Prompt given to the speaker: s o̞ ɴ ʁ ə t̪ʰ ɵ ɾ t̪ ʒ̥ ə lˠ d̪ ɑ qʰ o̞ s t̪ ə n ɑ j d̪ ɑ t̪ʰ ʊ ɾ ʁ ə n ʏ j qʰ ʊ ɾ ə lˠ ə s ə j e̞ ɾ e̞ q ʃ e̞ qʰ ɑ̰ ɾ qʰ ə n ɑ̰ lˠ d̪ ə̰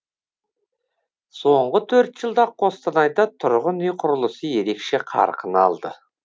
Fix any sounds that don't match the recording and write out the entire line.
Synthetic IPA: s o̞ ɴ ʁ ə t̪ʰ ɵ ɾ t̪ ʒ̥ ə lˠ d̪ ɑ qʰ o̞ s t̪ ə n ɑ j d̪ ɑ t̪ʰ ʊ ɾ ʁ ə n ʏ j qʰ ʊ ɾ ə lˠ ə s ə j e̞ ɾ e̞ k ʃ e̞ qʰ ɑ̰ ɾ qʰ ə n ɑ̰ lˠ d̪ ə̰